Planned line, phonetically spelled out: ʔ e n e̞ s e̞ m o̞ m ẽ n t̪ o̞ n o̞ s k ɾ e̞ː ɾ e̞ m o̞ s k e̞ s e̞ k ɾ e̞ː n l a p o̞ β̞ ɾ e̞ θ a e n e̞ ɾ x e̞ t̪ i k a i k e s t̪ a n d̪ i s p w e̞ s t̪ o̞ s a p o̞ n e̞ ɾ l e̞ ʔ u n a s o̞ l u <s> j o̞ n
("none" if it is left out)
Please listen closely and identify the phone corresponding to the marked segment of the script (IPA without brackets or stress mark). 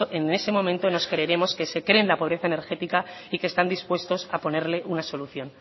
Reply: θ